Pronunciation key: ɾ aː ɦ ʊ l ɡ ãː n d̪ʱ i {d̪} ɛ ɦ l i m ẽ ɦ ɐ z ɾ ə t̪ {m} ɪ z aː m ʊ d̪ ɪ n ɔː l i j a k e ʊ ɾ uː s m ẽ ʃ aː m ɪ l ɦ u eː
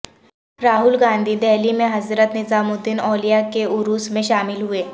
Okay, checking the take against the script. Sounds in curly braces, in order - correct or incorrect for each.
correct, incorrect: n

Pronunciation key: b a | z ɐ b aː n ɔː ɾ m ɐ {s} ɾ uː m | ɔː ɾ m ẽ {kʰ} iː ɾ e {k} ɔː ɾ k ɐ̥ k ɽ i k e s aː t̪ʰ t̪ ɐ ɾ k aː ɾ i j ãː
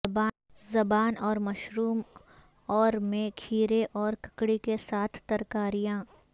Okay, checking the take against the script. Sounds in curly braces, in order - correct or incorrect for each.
incorrect: ʃ, correct, incorrect: ʔ

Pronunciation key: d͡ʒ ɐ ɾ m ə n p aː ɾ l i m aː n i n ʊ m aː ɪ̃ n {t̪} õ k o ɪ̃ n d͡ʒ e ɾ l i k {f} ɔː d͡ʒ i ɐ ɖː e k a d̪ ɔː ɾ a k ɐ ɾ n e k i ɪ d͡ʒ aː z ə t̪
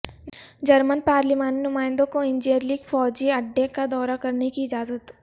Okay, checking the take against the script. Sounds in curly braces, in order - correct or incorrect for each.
incorrect: d̪, correct

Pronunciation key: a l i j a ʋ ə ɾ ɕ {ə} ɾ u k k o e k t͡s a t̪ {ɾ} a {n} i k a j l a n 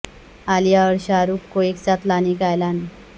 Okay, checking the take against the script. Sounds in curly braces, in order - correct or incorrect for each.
incorrect: a, incorrect: l, correct

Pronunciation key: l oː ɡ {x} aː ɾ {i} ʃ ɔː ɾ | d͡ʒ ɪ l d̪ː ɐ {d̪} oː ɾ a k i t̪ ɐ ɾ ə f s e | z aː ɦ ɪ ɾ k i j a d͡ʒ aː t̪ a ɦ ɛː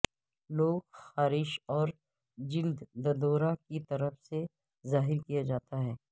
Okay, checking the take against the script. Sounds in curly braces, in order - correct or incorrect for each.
correct, incorrect: ɪ, correct

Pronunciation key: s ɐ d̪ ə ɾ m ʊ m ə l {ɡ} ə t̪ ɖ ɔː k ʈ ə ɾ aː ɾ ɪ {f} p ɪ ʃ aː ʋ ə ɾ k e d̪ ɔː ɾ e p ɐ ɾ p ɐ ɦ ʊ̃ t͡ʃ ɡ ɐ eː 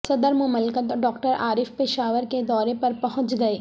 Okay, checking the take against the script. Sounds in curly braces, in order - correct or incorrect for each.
incorrect: k, correct

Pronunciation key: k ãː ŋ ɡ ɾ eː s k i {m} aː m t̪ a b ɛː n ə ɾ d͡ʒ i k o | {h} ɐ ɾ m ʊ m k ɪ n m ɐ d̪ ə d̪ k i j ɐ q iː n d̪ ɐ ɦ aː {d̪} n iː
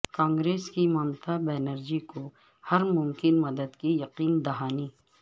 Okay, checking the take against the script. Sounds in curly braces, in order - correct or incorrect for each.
correct, correct, incorrect: none

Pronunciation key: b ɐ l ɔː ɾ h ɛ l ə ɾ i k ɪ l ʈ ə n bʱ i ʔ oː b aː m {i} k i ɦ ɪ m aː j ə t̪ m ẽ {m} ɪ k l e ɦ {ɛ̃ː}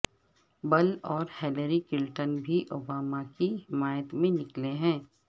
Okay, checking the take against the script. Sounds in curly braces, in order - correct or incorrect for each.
incorrect: a, incorrect: n, correct

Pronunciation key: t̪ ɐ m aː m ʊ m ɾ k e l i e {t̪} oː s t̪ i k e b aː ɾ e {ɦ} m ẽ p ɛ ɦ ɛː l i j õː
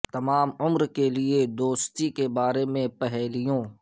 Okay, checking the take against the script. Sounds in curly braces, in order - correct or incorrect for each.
incorrect: d̪, incorrect: none

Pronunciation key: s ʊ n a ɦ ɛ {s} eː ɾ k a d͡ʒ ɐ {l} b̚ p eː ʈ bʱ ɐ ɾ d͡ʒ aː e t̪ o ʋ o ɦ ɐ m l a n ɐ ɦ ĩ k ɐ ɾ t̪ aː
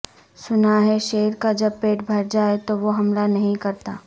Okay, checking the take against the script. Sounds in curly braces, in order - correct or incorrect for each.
incorrect: ʃ, incorrect: none

